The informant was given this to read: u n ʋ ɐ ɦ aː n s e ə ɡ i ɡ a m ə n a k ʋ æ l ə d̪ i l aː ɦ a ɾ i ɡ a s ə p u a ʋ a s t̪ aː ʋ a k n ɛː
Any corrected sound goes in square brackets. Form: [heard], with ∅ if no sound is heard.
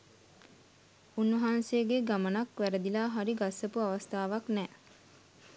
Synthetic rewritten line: u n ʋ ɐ ɦ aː n s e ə ɡ [e] ɡ a m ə n a k ʋ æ [ɾ] ə d̪ i l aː ɦ a ɾ i ɡ a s ə p u a ʋ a s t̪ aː ʋ a k n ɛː